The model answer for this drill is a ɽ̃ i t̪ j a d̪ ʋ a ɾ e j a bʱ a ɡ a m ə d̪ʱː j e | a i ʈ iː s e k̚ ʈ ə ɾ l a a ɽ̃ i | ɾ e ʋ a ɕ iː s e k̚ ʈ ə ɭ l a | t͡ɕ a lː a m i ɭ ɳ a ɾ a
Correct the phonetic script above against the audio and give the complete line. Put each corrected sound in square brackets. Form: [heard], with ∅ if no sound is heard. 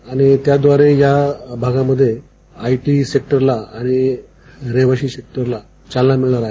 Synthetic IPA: a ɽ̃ i t̪ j a d̪ ʋ a ɾ e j a bʱ a ɡ a m ə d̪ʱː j e | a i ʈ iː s e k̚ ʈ ə ɾ l a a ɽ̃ i | ɾ e ʋ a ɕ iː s e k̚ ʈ ə [ɾ] l a | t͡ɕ a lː a m i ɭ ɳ a ɾ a

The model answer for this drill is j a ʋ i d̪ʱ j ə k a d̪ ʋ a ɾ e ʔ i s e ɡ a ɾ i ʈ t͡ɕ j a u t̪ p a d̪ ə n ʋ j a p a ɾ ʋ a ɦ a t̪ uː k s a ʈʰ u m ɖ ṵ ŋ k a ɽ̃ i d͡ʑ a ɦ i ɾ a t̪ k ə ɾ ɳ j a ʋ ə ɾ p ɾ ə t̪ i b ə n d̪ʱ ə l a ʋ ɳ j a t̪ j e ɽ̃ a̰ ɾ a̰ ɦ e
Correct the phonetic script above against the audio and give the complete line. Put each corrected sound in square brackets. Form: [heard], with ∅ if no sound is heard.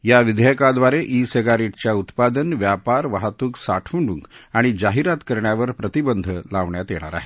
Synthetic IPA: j a ʋ i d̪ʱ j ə k a d̪ ʋ a ɾ e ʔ i s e ɡ a ɾ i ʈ t͡ɕ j a u t̪ p a d̪ ə n ʋ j a p a ɾ ʋ a ɦ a t̪ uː k s a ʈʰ u [ɳ] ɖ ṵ ŋ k a ɽ̃ i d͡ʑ a ɦ i ɾ a t̪ k ə ɾ ɳ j a ʋ ə ɾ p ɾ ə t̪ i b ə n d̪ʱ ə l a ʋ ɳ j a t̪ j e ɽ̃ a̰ ɾ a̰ ɦ e

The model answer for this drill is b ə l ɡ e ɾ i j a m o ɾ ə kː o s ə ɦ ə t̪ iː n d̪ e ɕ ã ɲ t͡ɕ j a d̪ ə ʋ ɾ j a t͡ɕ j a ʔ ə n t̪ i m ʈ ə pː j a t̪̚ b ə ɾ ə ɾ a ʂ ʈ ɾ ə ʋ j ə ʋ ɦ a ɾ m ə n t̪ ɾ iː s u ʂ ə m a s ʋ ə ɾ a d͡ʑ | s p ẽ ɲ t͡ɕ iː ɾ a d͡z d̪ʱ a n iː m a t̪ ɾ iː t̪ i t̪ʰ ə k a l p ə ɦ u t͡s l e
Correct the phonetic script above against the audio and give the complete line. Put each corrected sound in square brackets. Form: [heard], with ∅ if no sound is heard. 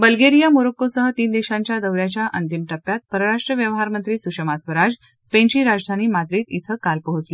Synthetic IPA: b ə l ɡ e ɾ i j a m o ɾ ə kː o s ə ɦ ə t̪ iː n d̪ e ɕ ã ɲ t͡ɕ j a d̪ ə ʋ ɾ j a t͡ɕ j a ʔ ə n t̪ i m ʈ ə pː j a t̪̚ [p] ə ɾ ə ɾ a ʂ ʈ ɾ ə ʋ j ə ʋ ɦ a ɾ m ə n t̪ ɾ iː s u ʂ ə m a s ʋ ə ɾ a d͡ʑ | s p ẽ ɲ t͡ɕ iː ɾ a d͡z d̪ʱ a n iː m a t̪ ɾ iː t̪ i t̪ʰ ə k a l p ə ɦ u t͡s l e

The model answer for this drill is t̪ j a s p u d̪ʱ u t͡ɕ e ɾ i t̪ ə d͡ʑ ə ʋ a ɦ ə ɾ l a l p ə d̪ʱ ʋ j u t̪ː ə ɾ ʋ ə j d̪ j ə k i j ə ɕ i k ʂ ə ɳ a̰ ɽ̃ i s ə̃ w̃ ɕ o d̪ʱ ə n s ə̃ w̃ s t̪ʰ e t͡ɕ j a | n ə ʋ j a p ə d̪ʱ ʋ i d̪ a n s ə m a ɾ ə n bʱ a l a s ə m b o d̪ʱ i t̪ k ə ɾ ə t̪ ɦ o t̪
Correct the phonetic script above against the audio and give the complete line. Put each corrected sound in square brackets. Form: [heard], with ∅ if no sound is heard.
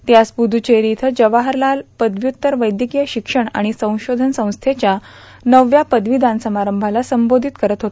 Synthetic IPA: t̪ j a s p u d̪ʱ u t͡ɕ e ɾ i [t̪ʰ] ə d͡ʑ ə ʋ a ɦ ə ɾ l a l p ə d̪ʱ ʋ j u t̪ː ə ɾ ʋ ə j d̪ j ə k i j ə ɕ i k ʂ ə ɳ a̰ ɽ̃ i s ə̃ w̃ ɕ o d̪ʱ ə n s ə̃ w̃ s t̪ʰ e t͡ɕ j a | n ə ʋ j a p ə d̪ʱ ʋ i d̪ a n s ə m a ɾ ə [m] bʱ a l a s ə m b o d̪ʱ i t̪ k ə ɾ ə t̪ ɦ o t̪

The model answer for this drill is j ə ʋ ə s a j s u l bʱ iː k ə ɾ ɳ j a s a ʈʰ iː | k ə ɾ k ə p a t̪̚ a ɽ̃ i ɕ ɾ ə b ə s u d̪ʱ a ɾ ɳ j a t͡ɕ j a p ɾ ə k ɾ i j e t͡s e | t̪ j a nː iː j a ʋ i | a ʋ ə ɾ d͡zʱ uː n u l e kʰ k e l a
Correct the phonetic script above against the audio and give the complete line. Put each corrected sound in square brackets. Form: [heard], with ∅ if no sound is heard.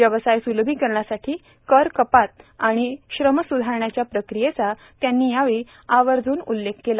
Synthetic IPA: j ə ʋ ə s a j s u l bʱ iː k ə ɾ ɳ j a s a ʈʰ iː | k ə ɾ k ə p a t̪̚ a ɽ̃ i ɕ ɾ ə [m] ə s u d̪ʱ a ɾ ɳ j a t͡ɕ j a p ɾ ə k ɾ i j e t͡s [a] | t̪ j a nː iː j a ʋ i | a ʋ ə ɾ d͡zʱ uː n u [lː] e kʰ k e l a

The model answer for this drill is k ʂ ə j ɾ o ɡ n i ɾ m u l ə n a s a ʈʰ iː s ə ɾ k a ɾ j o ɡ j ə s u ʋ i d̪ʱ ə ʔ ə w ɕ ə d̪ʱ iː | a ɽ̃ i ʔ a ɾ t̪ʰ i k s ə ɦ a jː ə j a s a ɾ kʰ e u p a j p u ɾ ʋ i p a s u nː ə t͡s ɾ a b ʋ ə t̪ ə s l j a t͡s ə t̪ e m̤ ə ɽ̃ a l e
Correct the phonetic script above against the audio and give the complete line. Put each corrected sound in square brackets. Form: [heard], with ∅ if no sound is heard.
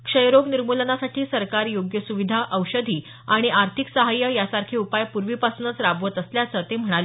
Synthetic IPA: k ʂ ə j ɾ o ɡ n i ɾ m u l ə n a s a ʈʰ iː s ə ɾ k a ɾ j o ɡ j ə s u ʋ i d̪ʱ [a] ʔ ə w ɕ ə d̪ʱ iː | a ɽ̃ i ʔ a ɾ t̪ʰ i k s ə ɦ a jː ə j a s a ɾ kʰ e u p a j p u ɾ ʋ i p a s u [n] ə t͡s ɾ a b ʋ ə t̪ ə s l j a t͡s ə t̪ e m̤ ə ɽ̃ a l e

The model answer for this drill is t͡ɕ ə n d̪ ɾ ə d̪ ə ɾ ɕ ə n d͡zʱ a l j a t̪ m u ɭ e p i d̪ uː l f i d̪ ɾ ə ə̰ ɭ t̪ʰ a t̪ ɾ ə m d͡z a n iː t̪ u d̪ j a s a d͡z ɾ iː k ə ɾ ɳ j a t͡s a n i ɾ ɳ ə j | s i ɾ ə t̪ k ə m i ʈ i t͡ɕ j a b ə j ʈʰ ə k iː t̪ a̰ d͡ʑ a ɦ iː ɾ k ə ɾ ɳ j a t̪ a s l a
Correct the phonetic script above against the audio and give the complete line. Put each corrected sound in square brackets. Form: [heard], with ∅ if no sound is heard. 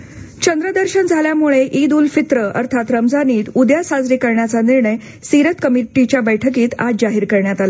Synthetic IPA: t͡ɕ ə n d̪ ɾ ə d̪ ə ɾ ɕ ə n d͡zʱ a l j a [∅] m u ɭ e [ʔ] i d̪ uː l f i [t̪] ɾ ə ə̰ [ɾ] t̪ʰ a t̪ ɾ ə m d͡z a n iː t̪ u d̪ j a s a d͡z ɾ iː k ə ɾ ɳ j a t͡s a n i ɾ ɳ ə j | s i ɾ ə t̪ k ə m i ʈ i t͡ɕ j a b ə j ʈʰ ə k iː t̪ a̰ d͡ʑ a ɦ iː ɾ k ə ɾ ɳ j a t̪ a [∅] l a

